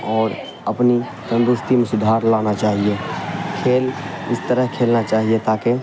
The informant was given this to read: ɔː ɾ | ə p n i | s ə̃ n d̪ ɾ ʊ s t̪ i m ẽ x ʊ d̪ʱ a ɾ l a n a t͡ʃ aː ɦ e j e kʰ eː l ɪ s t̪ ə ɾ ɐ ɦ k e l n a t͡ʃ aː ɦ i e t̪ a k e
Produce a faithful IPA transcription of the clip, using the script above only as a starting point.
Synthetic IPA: ɔː ɾ | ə p n i | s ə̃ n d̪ ɾ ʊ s t̪ i m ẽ s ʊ d̪ʱ a ɾ l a n a t͡ʃ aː ɦ i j e kʰ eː l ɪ s t̪ ə ɾ ə ɦ kʰ e l n a t͡ʃ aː ɦ i e t̪ a k e